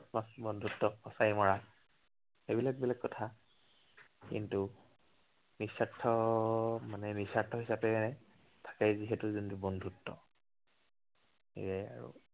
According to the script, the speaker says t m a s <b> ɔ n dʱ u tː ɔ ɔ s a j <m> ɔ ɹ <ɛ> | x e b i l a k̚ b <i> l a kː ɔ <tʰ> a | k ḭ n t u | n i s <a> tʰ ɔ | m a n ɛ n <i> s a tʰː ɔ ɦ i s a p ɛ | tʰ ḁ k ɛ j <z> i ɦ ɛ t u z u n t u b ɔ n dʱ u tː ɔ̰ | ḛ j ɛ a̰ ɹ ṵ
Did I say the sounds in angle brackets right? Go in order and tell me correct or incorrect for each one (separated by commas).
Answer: correct, correct, incorrect, correct, correct, correct, correct, correct